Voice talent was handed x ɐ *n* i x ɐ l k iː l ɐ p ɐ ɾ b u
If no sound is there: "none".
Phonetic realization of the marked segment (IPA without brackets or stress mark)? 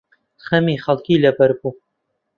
m